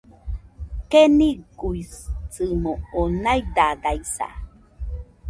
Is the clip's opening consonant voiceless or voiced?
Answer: voiceless